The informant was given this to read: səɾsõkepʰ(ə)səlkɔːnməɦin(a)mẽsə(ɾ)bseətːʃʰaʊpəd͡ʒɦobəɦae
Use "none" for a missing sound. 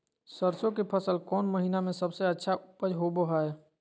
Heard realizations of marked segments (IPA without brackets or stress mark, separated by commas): ə, a, none